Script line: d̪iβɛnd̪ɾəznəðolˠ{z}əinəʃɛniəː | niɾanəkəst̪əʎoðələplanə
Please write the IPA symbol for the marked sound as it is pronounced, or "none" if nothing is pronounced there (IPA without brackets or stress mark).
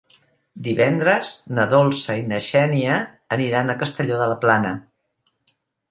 s